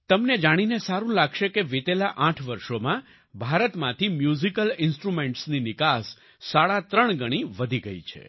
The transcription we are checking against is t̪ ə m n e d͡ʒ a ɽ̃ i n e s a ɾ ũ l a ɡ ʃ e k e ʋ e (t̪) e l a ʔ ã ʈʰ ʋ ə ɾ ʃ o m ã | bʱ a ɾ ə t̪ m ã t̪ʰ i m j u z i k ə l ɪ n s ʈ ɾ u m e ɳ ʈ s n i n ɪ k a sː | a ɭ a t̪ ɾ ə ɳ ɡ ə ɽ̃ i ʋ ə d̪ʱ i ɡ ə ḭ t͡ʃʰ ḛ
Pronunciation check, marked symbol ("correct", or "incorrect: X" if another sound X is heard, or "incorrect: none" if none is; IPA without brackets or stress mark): correct